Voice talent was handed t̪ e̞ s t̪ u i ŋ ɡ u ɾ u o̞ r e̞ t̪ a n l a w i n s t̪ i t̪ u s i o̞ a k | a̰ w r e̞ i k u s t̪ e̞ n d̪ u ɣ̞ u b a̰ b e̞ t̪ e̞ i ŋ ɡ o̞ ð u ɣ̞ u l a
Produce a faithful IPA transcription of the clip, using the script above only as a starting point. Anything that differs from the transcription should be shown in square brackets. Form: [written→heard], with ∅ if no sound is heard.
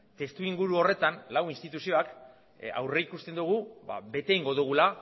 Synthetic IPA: t̪ e̞ s t̪ u i ŋ ɡ u ɾ u o̞ r e̞ t̪ a n l a w i n s t̪ i t̪ u s i o̞ a k | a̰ w r e̞ i k u s t̪ e̞ n d̪ u ɣ̞ u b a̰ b e̞ t̪ e̞ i ŋ ɡ o̞ ð u ɣ̞ u l a